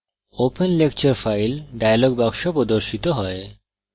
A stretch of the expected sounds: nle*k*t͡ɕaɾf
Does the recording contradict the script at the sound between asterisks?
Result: no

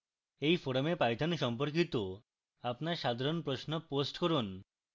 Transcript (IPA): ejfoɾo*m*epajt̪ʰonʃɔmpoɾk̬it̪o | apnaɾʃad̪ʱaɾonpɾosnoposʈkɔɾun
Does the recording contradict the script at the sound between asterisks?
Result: no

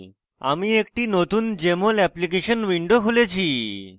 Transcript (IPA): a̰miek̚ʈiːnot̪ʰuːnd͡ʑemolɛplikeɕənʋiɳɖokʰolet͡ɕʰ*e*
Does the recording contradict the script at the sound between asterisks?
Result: yes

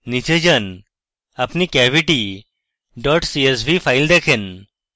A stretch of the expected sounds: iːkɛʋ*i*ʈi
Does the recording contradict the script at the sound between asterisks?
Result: no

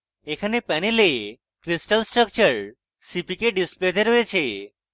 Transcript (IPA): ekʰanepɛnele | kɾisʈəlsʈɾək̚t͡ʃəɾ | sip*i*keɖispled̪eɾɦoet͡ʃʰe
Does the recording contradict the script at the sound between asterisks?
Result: no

